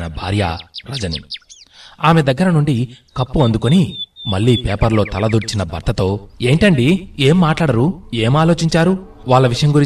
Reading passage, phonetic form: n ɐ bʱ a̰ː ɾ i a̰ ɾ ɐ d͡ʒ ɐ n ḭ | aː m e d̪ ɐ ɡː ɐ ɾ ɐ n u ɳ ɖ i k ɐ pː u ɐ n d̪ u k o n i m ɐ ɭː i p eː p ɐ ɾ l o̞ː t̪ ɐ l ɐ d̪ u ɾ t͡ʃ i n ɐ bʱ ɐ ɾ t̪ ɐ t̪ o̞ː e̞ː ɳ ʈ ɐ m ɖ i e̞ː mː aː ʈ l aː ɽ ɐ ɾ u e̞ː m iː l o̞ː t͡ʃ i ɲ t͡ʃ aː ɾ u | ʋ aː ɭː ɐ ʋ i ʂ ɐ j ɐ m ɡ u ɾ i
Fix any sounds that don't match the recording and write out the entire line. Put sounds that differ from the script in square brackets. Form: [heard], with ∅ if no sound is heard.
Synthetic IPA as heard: n ɐ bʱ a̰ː ɾ [j] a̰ ɾ ɐ d͡ʒ ɐ n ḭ | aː m e d̪ ɐ ɡː ɐ ɾ ɐ n u ɳ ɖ i k ɐ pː u ɐ n d̪ u k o n i m ɐ ɭː [iː] p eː p ɐ ɾ l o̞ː t̪ ɐ l ɐ d̪ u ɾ t͡ʃ i n ɐ bʱ ɐ ɾ t̪ ɐ t̪ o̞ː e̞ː ɳ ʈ ɐ [ɳ] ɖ i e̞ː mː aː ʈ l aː ɽ ɐ ɾ u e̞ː m [aː] l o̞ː t͡ʃ i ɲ t͡ʃ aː ɾ u | ʋ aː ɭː ɐ ʋ i ʂ ɐ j ɐ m ɡ u ɾ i